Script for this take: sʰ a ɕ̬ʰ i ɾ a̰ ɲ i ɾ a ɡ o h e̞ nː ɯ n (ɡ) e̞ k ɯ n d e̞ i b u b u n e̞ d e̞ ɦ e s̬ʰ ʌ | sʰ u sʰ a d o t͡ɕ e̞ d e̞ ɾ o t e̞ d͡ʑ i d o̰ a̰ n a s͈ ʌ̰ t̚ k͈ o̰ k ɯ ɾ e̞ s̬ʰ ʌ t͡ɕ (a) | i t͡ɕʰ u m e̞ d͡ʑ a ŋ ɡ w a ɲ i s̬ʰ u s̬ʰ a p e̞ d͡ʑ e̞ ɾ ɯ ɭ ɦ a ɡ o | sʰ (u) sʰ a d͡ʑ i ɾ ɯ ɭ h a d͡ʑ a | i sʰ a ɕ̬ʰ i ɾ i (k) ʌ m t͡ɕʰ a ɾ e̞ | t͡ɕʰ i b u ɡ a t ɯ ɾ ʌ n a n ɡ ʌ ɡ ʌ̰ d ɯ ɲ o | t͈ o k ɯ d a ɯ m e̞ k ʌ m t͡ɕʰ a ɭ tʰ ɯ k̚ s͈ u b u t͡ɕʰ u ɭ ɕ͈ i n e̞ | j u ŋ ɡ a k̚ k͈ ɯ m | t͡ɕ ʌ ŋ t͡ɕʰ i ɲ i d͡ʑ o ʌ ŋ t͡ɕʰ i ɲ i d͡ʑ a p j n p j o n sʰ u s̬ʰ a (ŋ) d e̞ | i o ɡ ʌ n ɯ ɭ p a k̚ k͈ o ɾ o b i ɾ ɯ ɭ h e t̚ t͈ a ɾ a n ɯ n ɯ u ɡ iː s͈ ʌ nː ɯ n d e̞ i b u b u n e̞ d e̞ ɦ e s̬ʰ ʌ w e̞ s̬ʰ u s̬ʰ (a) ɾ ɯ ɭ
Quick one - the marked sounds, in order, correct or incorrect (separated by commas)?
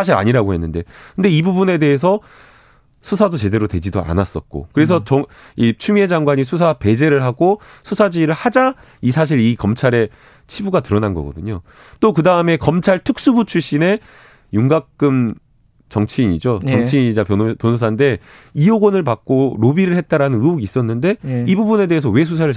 incorrect, incorrect, correct, correct, incorrect, correct